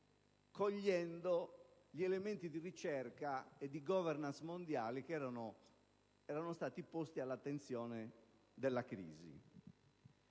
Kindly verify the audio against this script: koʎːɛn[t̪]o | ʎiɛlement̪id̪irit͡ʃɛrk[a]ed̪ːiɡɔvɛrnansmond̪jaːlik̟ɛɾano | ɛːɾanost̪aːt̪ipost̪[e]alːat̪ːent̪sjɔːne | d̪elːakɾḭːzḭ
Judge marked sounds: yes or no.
no, yes, no

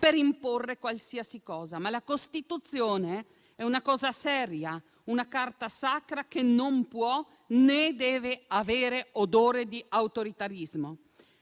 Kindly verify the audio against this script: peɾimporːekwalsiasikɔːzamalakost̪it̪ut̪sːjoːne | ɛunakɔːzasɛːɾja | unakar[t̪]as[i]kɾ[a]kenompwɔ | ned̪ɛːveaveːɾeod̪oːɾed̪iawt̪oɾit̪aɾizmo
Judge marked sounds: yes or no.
yes, no, yes

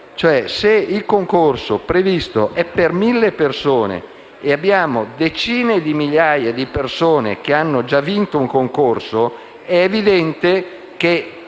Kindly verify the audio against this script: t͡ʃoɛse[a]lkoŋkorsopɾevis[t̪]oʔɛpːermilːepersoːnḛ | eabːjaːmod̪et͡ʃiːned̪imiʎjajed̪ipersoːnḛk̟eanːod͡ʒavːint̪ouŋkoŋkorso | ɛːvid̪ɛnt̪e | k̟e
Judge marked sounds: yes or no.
no, yes

